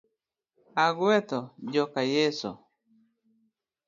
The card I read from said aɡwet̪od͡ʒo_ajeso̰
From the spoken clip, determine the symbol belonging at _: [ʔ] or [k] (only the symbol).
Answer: k